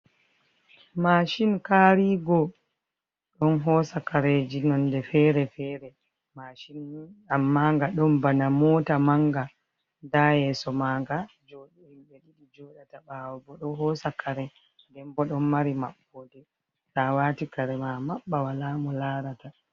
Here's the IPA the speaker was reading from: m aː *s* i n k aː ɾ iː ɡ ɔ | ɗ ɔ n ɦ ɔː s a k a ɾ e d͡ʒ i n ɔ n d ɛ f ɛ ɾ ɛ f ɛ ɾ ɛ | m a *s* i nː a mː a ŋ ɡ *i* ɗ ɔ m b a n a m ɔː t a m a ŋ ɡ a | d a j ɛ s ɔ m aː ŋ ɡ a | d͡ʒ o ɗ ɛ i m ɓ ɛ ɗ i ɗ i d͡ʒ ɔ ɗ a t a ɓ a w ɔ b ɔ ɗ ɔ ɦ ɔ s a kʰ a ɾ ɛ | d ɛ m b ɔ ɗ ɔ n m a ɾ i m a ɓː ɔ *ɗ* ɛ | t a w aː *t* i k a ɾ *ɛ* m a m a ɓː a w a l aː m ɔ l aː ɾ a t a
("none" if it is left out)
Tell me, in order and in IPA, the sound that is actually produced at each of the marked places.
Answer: ʃ, ʃ, a, d, t, ɛ

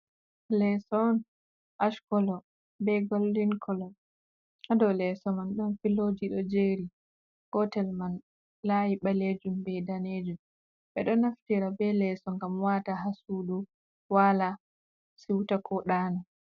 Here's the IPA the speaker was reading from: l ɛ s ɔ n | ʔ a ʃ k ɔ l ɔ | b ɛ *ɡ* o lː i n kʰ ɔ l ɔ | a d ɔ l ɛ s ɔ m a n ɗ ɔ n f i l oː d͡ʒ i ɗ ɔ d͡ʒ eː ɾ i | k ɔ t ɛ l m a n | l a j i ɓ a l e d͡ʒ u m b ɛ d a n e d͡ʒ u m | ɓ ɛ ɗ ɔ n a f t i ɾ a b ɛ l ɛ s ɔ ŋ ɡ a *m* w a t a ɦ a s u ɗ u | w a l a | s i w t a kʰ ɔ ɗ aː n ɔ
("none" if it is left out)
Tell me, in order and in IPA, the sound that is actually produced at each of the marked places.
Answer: ɡ, m

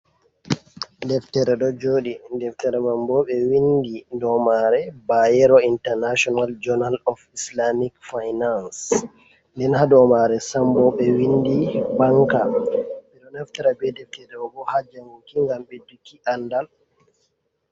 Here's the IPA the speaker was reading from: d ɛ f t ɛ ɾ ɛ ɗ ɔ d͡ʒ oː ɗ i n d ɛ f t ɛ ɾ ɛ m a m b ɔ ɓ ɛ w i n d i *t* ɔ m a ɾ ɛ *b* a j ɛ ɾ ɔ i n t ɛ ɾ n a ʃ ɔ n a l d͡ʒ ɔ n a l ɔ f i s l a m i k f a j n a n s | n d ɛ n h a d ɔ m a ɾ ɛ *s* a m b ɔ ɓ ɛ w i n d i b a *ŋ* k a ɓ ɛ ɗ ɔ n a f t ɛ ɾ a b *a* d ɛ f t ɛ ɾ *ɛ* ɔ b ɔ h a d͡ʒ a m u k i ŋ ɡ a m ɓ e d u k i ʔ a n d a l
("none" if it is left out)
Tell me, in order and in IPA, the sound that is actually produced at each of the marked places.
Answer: d, b, s, ŋ, ɛ, ɛ

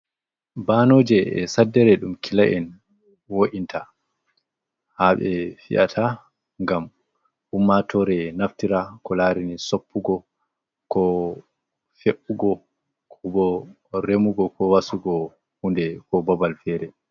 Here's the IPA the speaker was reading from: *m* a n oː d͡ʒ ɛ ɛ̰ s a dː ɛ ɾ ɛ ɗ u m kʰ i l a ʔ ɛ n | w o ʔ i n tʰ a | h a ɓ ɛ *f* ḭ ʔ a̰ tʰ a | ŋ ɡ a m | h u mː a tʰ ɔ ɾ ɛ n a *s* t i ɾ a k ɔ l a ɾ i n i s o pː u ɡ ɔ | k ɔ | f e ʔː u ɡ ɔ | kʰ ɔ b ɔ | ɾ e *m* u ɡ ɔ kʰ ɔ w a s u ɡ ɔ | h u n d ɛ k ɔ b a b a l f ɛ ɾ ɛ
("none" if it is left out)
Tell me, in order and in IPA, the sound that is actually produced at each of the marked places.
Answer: b, f, f, m

